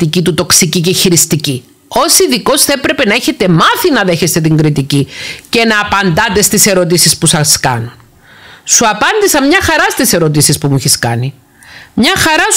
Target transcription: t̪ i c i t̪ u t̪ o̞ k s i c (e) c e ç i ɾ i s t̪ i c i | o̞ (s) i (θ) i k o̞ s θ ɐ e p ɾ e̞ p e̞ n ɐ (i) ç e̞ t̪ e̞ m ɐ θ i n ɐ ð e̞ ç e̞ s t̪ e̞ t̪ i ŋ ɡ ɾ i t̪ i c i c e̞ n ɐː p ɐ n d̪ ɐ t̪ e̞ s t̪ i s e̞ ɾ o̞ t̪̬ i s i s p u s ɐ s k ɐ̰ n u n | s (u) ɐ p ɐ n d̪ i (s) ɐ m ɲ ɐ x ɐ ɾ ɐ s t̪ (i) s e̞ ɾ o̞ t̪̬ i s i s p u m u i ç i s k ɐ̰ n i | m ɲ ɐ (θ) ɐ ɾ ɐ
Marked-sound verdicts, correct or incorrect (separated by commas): incorrect, correct, incorrect, incorrect, correct, correct, correct, incorrect